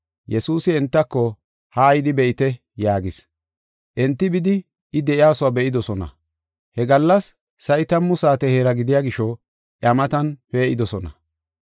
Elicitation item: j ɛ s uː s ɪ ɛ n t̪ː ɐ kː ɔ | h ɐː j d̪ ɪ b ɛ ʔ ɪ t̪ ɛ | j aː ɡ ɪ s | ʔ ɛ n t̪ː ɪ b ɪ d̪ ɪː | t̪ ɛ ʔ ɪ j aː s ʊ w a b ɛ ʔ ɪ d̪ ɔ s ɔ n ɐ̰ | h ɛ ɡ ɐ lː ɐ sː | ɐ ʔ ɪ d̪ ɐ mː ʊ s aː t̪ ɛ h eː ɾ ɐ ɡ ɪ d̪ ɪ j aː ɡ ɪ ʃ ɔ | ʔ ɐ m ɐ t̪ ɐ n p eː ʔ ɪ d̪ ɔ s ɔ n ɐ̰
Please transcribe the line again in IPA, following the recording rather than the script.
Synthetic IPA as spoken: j ɛ s uː s ɪ ɛ n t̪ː ɐ kː ɔ | h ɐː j d̪ ɪ b ɛ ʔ ɪ t̪ ɛ | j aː ɡ ɪ s | ʔ ɛ n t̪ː ɪ b ɪ d̪ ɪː | d̪ ɛ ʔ ɪ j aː s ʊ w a b ɛ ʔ ɪ d̪ ɔ s ɔ n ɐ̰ | h ɛ ɡ ɐ lː ɐ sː | ɐ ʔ ɪ t̪ ɐ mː ʊ s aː t̪ ɛ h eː ɾ ɐ ɡ ɪ d̪ ɪ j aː ɡ ɪ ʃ ɔ | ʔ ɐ m ɐ t̪ ɐ n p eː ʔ ɪ d̪ ɔ s ɔ n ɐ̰